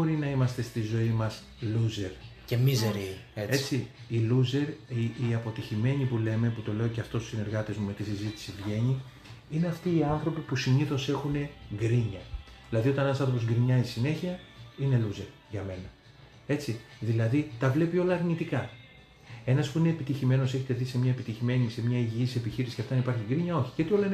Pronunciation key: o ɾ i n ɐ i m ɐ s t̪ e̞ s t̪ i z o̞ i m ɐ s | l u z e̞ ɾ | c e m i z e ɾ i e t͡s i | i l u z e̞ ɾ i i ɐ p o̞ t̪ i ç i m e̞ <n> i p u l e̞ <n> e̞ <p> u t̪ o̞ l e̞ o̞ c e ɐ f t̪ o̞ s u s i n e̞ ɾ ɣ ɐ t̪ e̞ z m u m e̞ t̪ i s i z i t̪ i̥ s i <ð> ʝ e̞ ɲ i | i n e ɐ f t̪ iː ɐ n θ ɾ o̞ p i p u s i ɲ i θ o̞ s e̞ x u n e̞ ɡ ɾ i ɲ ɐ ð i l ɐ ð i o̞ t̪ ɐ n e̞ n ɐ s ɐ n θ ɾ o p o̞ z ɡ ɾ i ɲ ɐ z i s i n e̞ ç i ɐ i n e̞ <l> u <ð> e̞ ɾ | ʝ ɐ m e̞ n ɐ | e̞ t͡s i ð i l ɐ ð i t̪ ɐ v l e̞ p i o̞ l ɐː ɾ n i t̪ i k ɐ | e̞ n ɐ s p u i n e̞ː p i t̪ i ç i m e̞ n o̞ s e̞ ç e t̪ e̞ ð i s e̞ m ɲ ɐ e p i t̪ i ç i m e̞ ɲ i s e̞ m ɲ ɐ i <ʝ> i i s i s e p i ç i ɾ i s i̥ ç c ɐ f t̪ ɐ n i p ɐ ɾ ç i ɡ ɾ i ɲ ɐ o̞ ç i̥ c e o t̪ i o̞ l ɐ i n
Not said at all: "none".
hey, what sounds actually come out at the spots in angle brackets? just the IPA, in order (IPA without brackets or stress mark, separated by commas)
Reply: ɲ, m, p, v, l, z, ʝ